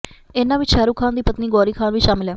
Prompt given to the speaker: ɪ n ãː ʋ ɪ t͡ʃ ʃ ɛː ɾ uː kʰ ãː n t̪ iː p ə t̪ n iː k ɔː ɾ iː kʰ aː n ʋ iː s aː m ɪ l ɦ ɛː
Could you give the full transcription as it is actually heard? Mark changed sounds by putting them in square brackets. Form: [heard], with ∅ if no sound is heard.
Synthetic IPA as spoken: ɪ n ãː ʋ ɪ t͡ʃ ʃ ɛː ɾ uː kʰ [aː] n [d̪] iː p ə t̪ n iː [ɡ] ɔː ɾ iː kʰ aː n ʋ iː [ʃ] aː m ɪ l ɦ ɛː